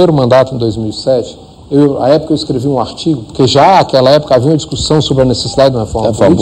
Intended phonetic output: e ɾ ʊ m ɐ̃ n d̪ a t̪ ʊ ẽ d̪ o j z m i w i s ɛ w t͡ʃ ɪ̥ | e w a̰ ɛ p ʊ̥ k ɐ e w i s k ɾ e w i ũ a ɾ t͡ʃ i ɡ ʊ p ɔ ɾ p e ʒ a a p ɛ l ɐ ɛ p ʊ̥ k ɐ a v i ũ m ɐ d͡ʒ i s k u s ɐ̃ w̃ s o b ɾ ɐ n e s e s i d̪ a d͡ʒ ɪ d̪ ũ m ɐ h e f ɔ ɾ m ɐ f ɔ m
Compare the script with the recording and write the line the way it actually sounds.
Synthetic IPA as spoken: e ɾ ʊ m ɐ̃ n d̪ a t̪ ʊ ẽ d̪ o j z m i w i s ɛ t͡ʃ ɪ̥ | e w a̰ ɛ p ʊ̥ k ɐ e w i s k ɾ e v i ũ a ɾ t͡ʃ i ɡ ʊ p o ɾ k e ʒ a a k ɛ l ɐ ɛ p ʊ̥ k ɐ a v i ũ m ɐ d͡ʒ i s k u s ɐ̃ w̃ s o b ɾ ɐ n e s e s i d̪ a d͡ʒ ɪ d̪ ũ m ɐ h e f ɔ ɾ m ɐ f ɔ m